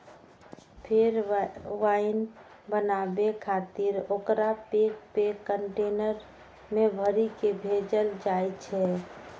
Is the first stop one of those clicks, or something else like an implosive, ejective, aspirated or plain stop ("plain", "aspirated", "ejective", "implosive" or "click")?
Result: aspirated